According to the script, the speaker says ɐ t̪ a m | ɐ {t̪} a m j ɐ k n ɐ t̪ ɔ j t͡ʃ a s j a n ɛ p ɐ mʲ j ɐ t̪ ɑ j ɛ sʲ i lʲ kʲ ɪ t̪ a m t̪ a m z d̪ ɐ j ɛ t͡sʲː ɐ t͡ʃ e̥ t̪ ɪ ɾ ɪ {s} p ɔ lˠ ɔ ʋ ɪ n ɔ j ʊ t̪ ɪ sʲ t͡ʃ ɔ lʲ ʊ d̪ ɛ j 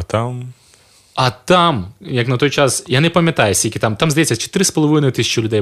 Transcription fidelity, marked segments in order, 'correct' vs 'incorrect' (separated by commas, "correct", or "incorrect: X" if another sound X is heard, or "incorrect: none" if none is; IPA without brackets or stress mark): correct, correct